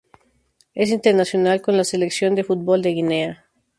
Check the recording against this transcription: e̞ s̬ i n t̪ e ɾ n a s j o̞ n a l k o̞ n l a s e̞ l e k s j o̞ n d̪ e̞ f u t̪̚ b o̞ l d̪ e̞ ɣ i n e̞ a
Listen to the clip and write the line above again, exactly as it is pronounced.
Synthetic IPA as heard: e̞ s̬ i n t̪ e ɾ n a s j o̞ n a l k o̞ n l a s e̞ l e k s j o̞ n d̪ e̞ f u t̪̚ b o̞ l d̪ e̞ ɣ i n e̞ a

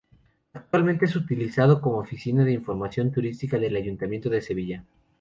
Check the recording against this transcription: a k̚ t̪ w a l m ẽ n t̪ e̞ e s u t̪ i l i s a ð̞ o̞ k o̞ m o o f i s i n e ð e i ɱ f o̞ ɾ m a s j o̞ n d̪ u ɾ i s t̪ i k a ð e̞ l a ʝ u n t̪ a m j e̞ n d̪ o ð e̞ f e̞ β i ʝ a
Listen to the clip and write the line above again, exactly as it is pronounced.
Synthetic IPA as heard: a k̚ t̪ w a l m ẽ n t̪ e̞ e s u t̪ i l i s a ð̞ o̞ k o̞ m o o f i s i n a ð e i ɱ f o̞ ɾ m a s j o̞ n t̪ u ɾ i s t̪ i k a ð e̞ l a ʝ u n t̪ a m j e̞ n t̪ o ð e̞ s e̞ β i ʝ a

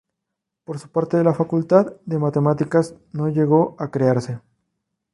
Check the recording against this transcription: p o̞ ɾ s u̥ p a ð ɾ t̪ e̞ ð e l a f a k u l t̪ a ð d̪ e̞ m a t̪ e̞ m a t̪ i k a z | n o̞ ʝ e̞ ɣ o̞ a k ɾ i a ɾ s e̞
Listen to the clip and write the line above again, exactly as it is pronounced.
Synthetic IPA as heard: p o̞ ɾ s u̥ p a ɾ t̪ e̞ ð e l a f a k u l t̪ a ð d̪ e̞ m a t̪ e̞ m a t̪ i k a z | n o̞ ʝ e̞ ɣ o̞ a k ɾ e a ɾ s e̞

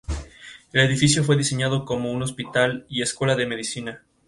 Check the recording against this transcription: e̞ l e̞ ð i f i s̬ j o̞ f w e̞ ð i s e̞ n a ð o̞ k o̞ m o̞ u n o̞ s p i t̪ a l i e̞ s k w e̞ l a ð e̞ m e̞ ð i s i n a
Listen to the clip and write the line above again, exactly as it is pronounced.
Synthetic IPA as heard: e̞ l e̞ ð i f i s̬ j o̞ f w e̞ ð i s e̞ ɲ a ð o̞ k o̞ m o̞ u n o̞ s p i t̪ a l i e̞ s k w e̞ l a ð e̞ m e̞ ð i s i n a

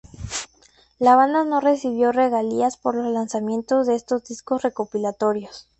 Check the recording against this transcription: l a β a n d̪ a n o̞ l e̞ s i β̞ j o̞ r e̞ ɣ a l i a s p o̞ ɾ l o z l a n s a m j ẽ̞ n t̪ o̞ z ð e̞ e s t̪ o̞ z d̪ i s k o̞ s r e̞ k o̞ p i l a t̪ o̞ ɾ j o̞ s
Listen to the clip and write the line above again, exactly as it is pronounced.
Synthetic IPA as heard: l a β a n d̪ a n o̞ r e̞ s i β̞ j o̞ r e̞ ɣ a l i a s p o̞ ɾ l o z l a n s a m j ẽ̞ n t̪ o̞ z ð e̞ e s t̪ o̞ z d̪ i s k o̞ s r e̞ k o̞ p i l a t̪ o̞ ɾ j o̞ s

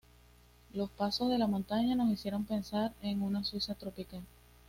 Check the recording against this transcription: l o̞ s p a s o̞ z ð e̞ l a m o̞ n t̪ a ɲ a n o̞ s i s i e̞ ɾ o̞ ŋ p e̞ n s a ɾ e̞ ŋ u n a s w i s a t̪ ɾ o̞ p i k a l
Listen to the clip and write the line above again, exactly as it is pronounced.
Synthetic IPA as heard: l o̞ s p a s o̞ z ð e̞ l a m o̞ n t̪ a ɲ a n o̞ s i s j e̞ ɾ o̞ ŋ p e̞ n s a ɾ e̞ ŋ u n a s w i s a t̪ ɾ o̞ p i k a l

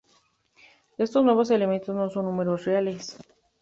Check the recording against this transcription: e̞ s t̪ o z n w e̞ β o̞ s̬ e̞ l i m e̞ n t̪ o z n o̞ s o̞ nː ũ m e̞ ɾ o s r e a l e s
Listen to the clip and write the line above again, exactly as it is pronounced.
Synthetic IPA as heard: e̞ s t̪ o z n w e̞ β o̞ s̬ e̞ l e m e̞ n t̪ o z n o̞ s o̞ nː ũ m e̞ ɾ o s r e a l e s

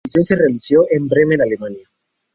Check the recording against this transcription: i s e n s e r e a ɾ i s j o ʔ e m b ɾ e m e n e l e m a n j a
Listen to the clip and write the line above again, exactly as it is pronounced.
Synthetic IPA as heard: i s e n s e r e a l i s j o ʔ e m b ɾ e m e n a l e m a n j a

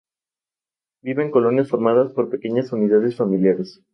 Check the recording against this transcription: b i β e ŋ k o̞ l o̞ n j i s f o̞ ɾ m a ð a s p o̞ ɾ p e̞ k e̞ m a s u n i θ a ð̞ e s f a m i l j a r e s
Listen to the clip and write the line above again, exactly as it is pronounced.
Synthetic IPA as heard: b i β e ŋ k o̞ l o̞ n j a s f o̞ ɾ m a ð a s p o̞ ɾ p e̞ k e̞ ɲ a s u n i ð a ð̞ e s f a m i l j a ɾ e s

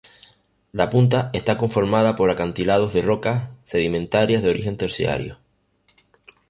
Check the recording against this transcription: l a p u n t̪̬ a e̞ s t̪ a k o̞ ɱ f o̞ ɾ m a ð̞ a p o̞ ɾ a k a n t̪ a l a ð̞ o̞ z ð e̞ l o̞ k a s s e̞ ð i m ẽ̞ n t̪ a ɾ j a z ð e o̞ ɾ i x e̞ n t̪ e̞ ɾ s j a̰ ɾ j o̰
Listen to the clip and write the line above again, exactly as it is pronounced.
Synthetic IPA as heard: l a p u n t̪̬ a e̞ s t̪ a k o̞ ɱ f o̞ ɾ m a ð̞ a p o̞ ɾ a k a n t̪ i l a ð̞ o̞ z ð e̞ r o̞ k a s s e̞ ð i m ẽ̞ n t̪ a ɾ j a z ð e o̞ ɾ i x e̞ n t̪ e̞ ɾ s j a̰ ɾ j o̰

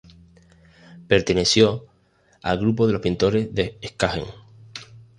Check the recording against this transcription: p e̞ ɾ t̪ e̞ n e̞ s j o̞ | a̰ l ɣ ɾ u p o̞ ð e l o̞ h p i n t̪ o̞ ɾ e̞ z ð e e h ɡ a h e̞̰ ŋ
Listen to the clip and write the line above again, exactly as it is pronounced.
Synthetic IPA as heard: p e̞ ɾ t̪ e̞ n e̞ s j o̞ | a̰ l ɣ ɾ u p o̞ ð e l o̞ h p i n t̪ o̞ ɾ e̞ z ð e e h k a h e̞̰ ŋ

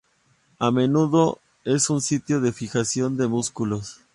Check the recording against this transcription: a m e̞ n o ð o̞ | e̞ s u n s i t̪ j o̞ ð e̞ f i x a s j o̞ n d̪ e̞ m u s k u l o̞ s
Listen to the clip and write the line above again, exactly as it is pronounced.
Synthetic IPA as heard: a m e̞ n u ð o̞ | e̞ s u n s i t̪ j o̞ ð e̞ f i x a s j o̞ n d̪ e̞ m u s k u l o̞ s

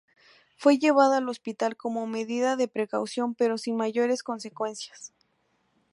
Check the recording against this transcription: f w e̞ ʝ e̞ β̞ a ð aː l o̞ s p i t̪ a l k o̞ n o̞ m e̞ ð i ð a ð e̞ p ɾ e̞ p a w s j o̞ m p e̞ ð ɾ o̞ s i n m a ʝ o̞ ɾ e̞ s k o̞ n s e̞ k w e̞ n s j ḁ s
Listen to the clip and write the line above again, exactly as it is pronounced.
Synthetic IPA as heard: f w e̞ ʝ e̞ β̞ a ð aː l o̞ s p i t̪ a l k o̞ m o̞ m e̞ ð i ð a ð e̞ p ɾ e̞ k a w s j o̞ m p e̞ ɾ o̞ s i n m a ʝ o̞ ɾ e̞ s k o̞ n s e̞ k w e̞ n s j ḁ s

